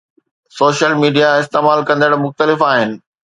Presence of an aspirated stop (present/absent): absent